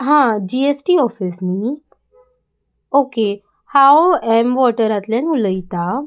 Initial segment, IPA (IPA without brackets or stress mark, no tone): ɦ